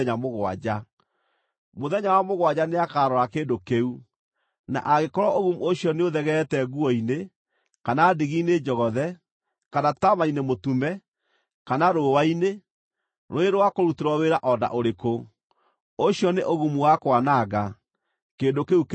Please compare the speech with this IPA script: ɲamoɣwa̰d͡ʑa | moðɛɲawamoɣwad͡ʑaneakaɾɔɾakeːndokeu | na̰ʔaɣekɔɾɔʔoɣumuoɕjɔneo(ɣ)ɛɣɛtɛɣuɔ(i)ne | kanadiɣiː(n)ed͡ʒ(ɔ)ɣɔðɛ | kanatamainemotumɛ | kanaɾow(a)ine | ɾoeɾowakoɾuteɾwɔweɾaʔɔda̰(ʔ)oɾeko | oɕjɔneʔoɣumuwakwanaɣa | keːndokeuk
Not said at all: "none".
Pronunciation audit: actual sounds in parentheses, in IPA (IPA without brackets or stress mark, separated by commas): ð, i, n, ɔ, a, ʔ